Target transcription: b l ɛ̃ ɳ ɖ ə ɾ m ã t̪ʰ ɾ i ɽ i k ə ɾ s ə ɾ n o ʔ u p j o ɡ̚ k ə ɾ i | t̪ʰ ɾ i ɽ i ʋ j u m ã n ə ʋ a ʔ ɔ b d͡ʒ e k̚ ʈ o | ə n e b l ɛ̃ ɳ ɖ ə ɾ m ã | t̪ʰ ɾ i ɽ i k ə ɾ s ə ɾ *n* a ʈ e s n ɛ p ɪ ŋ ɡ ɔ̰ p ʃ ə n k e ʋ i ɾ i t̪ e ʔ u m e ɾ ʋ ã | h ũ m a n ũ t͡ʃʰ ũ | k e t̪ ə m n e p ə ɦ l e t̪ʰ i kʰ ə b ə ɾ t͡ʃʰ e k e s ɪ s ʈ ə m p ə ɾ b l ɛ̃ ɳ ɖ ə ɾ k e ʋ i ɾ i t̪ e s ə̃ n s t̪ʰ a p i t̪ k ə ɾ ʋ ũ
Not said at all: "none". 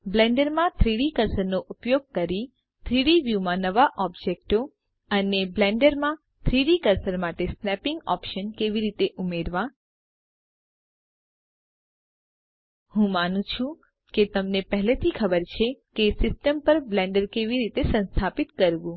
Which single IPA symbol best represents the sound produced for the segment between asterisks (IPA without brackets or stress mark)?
m